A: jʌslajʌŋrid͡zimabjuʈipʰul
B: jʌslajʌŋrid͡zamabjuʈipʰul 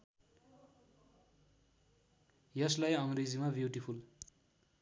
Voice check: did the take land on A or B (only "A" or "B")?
A